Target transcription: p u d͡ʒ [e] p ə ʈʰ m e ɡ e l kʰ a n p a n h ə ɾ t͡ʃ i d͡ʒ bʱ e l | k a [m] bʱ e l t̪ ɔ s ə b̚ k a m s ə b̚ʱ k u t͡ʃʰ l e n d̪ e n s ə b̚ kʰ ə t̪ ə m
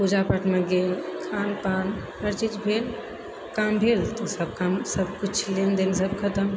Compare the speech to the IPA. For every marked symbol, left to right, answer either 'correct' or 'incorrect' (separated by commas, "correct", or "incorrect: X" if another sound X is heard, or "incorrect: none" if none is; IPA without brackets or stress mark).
incorrect: a, correct